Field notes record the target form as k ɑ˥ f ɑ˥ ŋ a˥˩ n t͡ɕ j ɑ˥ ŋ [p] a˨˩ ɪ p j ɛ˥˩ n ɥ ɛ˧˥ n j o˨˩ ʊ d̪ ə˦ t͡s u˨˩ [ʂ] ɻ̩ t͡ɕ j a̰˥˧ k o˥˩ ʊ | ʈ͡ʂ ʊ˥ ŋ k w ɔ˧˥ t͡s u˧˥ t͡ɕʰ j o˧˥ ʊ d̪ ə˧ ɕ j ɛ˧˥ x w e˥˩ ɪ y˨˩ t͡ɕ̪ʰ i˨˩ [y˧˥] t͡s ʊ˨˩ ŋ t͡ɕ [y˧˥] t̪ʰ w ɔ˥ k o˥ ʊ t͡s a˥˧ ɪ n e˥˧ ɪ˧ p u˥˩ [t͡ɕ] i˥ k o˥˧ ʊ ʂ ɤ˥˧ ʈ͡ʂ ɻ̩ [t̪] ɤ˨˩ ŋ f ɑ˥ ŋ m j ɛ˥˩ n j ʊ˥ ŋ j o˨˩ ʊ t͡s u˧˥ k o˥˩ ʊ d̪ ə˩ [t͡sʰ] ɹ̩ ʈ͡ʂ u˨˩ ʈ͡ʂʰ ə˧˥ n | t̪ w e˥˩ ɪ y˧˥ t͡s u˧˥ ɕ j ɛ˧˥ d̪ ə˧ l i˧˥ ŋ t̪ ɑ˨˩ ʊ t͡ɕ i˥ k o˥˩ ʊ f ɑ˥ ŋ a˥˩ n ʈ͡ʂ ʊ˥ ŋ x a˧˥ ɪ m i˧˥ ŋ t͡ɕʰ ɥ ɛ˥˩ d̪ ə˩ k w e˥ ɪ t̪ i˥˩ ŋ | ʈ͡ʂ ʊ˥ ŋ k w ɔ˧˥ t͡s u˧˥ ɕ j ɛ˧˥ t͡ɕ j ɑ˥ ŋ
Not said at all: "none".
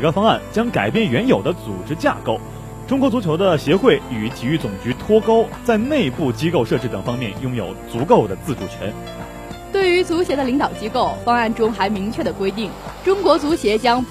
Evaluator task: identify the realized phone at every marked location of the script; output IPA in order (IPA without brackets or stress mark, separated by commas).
k, ʈ͡ʂ, y˥˩, y˧˥, t͡ɕ, t̪, t͡s